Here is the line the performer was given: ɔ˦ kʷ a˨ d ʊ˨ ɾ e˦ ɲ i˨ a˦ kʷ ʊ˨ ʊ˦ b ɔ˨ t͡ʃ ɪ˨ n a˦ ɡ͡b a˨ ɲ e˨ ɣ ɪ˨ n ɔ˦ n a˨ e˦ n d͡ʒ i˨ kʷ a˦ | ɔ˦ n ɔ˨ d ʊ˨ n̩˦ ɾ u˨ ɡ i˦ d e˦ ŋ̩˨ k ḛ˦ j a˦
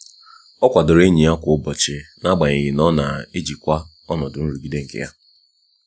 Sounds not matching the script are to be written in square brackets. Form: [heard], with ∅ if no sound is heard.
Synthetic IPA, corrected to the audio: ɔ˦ kʷ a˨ d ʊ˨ ɾ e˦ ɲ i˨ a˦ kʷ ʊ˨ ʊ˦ b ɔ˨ t͡ʃ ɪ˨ n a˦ ɡ͡b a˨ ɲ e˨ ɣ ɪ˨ n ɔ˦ n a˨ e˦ [∅] d͡ʒ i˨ kʷ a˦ | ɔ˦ n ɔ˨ d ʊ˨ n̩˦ ɾ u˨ ɡ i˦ d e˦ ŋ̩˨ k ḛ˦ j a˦